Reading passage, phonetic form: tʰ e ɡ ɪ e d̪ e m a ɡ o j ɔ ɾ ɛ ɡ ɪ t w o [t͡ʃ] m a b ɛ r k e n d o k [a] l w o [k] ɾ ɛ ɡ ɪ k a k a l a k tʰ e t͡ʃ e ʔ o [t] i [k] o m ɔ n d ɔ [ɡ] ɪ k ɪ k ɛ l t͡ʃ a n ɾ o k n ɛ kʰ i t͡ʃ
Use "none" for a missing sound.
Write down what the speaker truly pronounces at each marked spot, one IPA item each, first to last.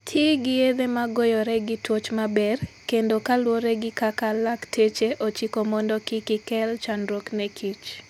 t͡ʃ, a, none, t͡ʃ, k, k

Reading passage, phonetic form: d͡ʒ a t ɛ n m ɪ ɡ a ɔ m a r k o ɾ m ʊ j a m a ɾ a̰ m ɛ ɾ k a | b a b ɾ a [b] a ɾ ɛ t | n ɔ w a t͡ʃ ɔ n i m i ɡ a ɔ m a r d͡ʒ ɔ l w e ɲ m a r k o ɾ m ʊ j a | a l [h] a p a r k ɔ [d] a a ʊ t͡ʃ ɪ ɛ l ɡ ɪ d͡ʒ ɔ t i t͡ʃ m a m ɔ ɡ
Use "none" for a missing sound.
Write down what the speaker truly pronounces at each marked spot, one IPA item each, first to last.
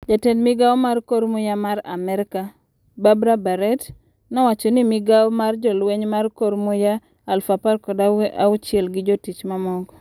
b, f, d

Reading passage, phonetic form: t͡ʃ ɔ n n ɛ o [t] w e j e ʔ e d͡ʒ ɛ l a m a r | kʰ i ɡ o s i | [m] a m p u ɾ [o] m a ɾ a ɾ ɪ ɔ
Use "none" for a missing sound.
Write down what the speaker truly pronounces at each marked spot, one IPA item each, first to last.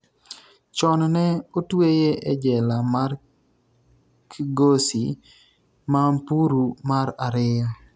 t, m, u

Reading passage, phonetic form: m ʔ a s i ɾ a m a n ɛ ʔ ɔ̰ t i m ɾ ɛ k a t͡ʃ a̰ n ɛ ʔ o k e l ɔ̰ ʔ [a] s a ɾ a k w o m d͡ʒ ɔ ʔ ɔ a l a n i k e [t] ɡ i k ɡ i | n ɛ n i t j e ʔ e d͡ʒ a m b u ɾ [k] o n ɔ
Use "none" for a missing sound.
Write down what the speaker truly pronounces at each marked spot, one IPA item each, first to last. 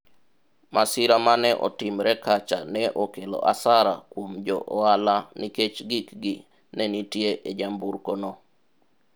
a, t͡ʃ, k

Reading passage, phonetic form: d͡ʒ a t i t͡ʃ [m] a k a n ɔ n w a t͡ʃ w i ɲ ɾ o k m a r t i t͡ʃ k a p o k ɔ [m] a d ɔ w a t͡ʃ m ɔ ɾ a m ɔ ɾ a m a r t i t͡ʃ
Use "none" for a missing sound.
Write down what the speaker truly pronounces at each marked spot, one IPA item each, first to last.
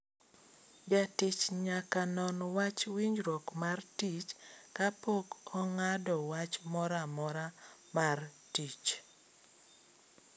ɲ, ŋ

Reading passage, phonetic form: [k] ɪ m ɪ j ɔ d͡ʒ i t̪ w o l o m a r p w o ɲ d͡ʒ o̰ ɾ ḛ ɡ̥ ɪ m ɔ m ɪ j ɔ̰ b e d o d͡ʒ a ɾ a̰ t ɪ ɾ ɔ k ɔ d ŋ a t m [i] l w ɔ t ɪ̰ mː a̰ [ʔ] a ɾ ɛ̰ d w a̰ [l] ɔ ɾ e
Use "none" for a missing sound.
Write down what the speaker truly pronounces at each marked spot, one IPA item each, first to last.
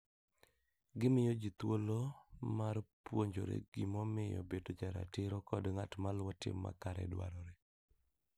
ɡ, a, k, ɾ

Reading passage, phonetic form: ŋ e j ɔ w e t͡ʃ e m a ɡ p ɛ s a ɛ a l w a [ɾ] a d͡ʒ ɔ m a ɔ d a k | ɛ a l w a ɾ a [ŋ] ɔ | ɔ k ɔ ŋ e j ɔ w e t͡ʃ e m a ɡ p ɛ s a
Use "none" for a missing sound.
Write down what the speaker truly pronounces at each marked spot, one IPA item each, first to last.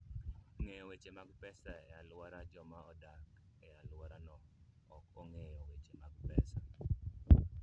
ɾ, n

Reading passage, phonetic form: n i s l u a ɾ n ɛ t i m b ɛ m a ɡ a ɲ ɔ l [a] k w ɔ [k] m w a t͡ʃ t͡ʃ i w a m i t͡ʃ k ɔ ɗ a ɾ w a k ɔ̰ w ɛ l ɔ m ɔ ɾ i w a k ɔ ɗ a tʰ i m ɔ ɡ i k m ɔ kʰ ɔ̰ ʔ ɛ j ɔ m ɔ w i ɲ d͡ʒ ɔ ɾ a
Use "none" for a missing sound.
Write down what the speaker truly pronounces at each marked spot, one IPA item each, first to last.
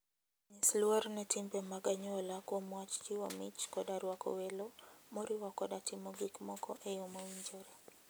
a, none

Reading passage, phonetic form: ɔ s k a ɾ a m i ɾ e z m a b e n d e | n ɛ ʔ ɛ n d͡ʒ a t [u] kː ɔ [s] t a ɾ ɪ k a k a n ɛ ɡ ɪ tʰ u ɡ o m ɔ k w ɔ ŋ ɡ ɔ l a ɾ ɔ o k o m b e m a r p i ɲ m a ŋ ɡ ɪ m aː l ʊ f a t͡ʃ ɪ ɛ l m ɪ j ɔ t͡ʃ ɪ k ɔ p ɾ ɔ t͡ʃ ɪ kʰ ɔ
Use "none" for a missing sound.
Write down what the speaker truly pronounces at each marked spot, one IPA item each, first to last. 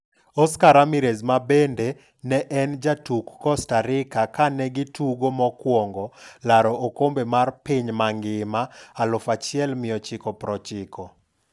u, s

